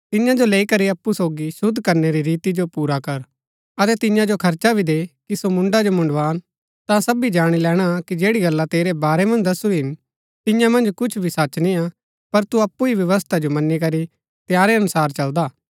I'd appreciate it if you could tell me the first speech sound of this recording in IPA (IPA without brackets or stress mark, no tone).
t̪